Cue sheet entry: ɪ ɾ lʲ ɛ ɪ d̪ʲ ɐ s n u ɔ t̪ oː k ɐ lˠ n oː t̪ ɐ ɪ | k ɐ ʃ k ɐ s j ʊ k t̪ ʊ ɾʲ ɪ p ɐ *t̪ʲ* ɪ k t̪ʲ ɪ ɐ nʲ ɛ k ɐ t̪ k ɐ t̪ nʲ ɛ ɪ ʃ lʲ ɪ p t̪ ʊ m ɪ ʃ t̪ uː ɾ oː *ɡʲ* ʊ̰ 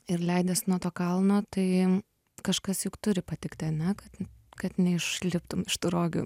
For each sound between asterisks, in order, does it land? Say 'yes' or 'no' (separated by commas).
yes, yes